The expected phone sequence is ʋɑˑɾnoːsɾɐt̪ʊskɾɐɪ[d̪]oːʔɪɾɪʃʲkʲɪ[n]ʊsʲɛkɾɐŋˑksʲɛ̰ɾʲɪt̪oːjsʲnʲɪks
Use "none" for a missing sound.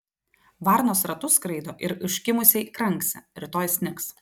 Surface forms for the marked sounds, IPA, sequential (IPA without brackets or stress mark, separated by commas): d̪, m